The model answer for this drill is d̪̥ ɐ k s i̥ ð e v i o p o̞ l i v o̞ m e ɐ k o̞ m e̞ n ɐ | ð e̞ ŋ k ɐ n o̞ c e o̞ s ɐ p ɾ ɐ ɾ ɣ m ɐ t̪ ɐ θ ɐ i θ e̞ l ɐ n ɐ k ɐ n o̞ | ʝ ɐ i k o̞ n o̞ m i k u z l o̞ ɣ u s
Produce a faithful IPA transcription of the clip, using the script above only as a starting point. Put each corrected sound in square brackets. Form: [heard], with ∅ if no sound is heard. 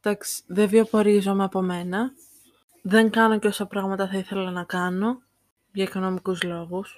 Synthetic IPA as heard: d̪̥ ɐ k s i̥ ð e v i o p o̞ [ɾ] i [z] o̞ m e ɐ [p] o̞ m e̞ n ɐ | ð e̞ ŋ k ɐ n o̞ c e o̞ s ɐ p ɾ ɐ [∅] ɣ m ɐ t̪ ɐ θ ɐ i θ e̞ l ɐ n ɐ k ɐ n o̞ | ʝ ɐ i k o̞ n o̞ m i k u z l o̞ ɣ u s